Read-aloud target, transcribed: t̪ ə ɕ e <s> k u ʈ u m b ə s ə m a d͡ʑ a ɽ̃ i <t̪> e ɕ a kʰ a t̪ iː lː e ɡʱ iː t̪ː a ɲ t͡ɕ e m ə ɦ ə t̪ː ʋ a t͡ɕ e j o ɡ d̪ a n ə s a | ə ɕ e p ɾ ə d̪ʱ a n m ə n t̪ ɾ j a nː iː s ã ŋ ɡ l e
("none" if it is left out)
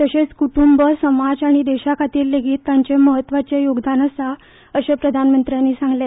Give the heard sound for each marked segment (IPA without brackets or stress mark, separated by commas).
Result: t͡s, d̪